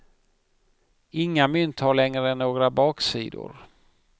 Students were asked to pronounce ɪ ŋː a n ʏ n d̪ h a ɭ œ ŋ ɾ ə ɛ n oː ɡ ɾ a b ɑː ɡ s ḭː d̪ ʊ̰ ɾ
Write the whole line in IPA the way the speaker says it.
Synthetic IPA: ɪ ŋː a m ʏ n t̪ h a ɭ ɛ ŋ ɾ ə ɛ nː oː ɡ ɾ a b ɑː k s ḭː d̪ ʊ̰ ɾ